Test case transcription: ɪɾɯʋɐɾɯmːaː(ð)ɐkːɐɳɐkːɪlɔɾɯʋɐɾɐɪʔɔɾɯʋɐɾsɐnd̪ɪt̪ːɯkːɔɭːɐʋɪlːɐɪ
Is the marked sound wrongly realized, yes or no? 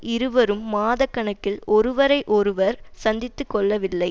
no